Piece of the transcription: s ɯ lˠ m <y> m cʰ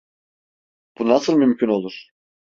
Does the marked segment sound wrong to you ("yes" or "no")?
no